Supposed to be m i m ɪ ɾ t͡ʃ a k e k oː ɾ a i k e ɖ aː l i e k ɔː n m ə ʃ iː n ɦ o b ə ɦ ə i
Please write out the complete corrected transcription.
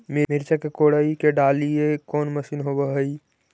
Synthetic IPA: m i m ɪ ɾ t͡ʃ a k e k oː ɽ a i k e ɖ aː l i e k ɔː n m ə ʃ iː n ɦ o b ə ɦ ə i